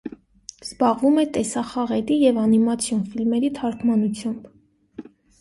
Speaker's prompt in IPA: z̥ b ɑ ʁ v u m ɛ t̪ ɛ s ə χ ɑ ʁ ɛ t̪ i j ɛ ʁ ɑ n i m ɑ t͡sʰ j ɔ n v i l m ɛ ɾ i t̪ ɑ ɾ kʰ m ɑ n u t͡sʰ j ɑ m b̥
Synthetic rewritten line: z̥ b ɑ ʁ v u m ɛ t̪ ɛ s ɑ χ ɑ ʁ ɛ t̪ i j ɛ v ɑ n i m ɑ t͡sʰ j ɔ n f i l m ɛ ɾ i t̪ʰ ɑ ɾ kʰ m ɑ n u t͡sʰ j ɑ m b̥